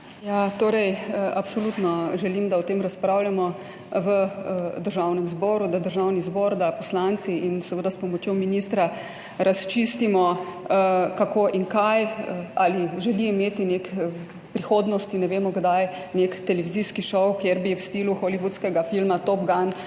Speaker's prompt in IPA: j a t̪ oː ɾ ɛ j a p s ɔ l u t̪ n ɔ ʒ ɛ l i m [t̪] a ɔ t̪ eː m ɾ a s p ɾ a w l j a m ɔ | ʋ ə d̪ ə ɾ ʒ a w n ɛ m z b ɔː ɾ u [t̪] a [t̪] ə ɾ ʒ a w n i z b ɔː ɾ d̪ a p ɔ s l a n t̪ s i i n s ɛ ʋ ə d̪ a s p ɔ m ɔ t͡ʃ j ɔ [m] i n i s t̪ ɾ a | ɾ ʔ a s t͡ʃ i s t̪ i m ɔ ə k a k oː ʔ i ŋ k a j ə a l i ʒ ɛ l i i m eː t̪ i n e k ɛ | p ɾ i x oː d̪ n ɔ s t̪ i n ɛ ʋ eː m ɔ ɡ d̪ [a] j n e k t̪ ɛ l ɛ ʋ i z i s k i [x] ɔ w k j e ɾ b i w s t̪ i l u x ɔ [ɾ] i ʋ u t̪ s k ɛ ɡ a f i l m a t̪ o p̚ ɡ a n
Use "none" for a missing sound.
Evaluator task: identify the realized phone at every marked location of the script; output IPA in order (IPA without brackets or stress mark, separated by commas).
d̪, d̪, d̪, m, a, ʃ, l